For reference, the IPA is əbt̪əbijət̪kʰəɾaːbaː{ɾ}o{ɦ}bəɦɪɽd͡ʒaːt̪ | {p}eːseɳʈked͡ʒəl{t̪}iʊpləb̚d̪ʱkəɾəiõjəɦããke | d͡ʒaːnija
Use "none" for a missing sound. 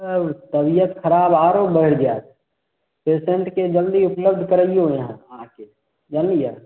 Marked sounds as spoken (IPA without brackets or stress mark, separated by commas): ɾ, none, p, d̪